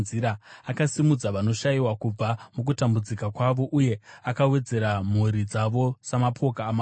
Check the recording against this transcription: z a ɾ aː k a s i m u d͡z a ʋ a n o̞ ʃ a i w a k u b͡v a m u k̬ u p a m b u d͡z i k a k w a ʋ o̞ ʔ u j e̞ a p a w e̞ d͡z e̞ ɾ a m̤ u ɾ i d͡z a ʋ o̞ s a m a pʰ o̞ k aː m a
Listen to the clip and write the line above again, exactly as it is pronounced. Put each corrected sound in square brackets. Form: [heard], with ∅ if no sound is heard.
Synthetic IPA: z [i] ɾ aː k a s i m u d͡z a ʋ a n o̞ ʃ a i w a k u b͡v a m u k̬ u [t] a m b u d͡z i k a k w a ʋ o̞ ʔ u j e̞ a [k] a w e̞ d͡z e̞ ɾ a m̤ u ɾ i d͡z a ʋ o̞ s a m a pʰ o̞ k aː m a